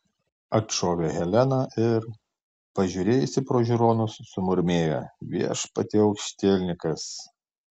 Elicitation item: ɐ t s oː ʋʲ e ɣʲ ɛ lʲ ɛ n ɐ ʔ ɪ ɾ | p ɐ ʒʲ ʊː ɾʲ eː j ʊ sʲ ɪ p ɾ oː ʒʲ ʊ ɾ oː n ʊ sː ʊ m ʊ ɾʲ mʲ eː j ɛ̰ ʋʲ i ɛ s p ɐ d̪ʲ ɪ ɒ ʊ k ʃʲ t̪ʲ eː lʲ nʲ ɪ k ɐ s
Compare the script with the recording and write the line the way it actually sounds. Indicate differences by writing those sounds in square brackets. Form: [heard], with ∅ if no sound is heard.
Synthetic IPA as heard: ɐ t [ʃ] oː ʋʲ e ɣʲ ɛ lʲ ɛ n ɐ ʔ ɪ ɾ | p ɐ ʒʲ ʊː ɾʲ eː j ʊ sʲ ɪ p ɾ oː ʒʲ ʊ ɾ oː n ʊ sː ʊ m ʊ ɾʲ mʲ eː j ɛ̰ ʋʲ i ɛ [ʃ] p ɐ [t̪ʲ] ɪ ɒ ʊ k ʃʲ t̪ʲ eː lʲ nʲ ɪ k ɐ s